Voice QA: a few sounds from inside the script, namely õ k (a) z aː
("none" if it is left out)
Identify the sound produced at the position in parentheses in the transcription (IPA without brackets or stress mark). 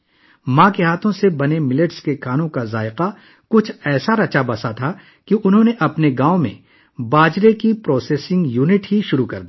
a